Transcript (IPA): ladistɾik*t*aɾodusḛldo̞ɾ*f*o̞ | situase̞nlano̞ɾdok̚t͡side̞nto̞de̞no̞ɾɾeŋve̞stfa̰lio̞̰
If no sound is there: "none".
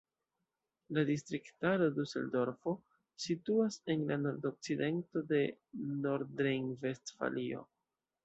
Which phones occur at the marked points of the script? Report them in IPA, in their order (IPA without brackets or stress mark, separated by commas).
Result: t, f